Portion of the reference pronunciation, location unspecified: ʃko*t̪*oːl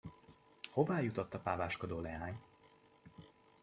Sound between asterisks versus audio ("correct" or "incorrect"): incorrect